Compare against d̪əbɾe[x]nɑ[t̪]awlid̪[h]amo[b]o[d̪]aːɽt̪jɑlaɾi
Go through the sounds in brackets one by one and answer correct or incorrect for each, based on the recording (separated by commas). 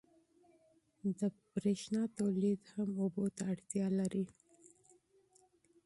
incorrect, correct, correct, correct, incorrect